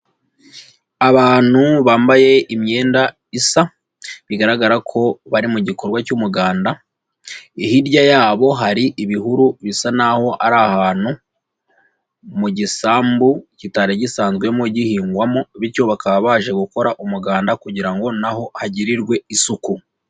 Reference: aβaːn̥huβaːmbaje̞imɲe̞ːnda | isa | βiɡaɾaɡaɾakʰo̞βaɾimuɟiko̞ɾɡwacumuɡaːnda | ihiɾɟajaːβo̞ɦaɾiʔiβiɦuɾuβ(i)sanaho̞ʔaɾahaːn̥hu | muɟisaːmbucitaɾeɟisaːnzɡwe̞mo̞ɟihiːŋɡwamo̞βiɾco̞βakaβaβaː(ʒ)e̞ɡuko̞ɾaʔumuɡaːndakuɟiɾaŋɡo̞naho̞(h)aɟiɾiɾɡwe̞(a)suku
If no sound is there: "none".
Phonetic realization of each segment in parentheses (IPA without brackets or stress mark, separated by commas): i, ʒ, h, i